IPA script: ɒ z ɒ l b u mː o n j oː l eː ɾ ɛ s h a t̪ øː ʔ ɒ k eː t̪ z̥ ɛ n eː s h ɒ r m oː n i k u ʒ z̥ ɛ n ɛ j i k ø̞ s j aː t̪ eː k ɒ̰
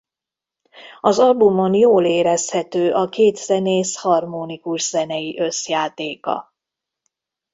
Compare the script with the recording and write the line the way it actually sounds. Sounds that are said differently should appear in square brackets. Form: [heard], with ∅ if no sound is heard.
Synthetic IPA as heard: ɒ z ɒ l b u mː o n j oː l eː ɾ ɛ s h [ɛ] t̪ øː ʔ ɒ k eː t̪ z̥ ɛ n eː s h ɒ r m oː n i k u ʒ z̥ ɛ n ɛ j i [ʔ] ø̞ s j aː t̪ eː k ɒ̰